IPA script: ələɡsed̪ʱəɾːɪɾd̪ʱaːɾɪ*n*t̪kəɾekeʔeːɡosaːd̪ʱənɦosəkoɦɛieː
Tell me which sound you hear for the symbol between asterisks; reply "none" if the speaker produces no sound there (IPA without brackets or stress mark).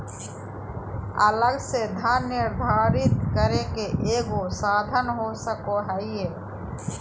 none